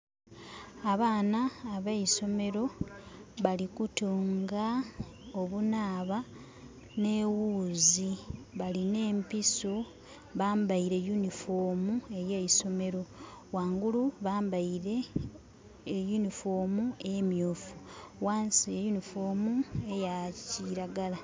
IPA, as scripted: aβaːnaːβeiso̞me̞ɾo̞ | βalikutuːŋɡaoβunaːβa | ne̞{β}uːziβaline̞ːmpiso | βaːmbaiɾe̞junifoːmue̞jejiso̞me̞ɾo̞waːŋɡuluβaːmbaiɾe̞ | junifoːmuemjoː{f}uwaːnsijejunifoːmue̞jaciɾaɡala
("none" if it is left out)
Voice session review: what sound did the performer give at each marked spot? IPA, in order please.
w, f

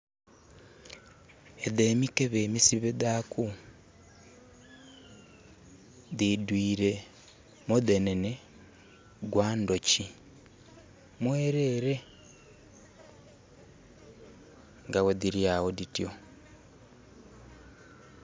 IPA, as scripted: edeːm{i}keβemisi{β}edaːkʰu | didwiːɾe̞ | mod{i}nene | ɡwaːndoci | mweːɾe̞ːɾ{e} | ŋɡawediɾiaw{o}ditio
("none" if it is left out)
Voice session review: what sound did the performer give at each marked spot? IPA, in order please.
i, β, e, e, o

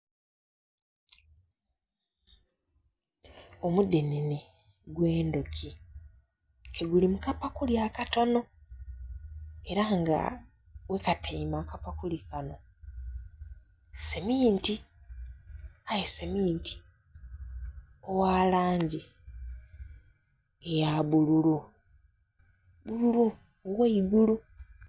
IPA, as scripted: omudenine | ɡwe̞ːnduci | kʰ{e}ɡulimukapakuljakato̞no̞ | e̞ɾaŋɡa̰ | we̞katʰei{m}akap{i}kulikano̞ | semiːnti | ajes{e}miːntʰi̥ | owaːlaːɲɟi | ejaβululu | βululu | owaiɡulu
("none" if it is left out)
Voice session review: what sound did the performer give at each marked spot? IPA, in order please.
e, m, a, e

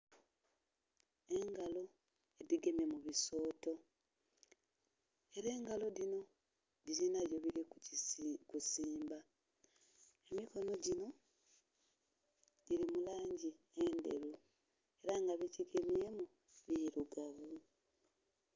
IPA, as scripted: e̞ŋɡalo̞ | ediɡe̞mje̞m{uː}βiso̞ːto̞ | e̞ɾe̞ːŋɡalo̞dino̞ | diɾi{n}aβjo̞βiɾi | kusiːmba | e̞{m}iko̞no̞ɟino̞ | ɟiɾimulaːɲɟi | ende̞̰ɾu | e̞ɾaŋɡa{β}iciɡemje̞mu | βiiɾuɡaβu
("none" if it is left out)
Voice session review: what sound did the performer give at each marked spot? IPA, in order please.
u, n, m, β

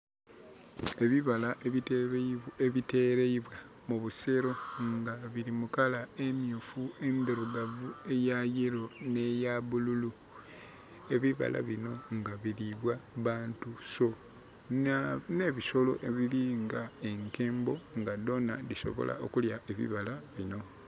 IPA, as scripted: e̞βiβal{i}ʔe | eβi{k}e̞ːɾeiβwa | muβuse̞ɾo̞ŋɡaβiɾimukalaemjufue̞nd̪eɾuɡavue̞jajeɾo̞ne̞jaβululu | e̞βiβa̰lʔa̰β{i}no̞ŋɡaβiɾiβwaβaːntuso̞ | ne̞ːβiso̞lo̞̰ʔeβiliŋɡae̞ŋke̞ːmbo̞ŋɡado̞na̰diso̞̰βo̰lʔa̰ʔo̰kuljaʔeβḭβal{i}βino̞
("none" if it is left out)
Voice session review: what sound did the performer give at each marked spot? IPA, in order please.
a, t, i, a

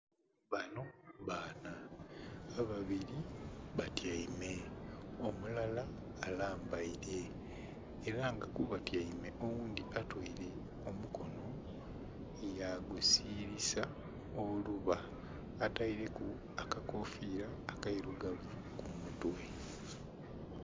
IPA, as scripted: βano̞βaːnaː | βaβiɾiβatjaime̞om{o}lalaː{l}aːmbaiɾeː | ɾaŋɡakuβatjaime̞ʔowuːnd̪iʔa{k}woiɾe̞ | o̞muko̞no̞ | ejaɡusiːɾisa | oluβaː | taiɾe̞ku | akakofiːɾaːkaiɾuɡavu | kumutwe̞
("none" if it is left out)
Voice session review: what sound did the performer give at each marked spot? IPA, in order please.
u, l, t

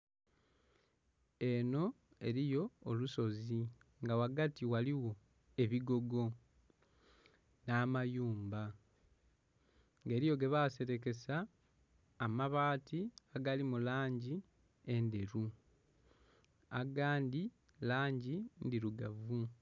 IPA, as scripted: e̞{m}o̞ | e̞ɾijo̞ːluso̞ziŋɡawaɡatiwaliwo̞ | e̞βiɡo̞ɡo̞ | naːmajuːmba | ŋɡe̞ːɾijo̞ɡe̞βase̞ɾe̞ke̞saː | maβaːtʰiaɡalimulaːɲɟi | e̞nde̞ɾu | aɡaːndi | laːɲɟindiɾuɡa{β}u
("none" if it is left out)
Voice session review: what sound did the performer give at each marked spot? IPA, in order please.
n, v

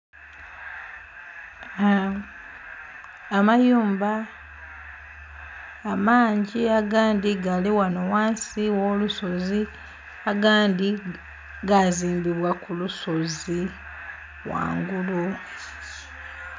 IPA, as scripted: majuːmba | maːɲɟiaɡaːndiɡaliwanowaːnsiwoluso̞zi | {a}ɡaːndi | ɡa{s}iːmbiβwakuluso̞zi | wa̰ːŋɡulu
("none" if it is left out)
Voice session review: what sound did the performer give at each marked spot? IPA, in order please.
a, z

